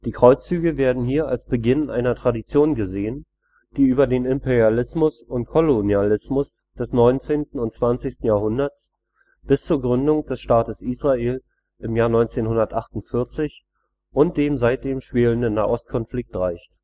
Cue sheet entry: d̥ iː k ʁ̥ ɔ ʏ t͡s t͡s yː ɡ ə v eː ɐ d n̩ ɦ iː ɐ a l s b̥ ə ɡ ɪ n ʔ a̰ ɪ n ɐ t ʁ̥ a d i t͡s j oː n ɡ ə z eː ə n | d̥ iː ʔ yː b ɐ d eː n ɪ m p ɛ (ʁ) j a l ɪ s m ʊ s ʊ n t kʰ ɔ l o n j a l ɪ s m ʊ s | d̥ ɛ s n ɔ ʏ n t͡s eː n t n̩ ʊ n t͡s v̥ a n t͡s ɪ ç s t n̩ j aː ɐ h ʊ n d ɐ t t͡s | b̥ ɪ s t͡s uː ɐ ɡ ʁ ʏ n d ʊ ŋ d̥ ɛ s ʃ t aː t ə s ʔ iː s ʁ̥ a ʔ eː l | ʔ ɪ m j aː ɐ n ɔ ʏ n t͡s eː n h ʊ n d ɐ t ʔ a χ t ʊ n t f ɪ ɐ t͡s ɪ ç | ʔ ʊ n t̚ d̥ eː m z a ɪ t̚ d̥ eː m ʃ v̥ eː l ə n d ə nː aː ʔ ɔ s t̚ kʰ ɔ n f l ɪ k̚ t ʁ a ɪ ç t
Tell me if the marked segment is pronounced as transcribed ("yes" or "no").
yes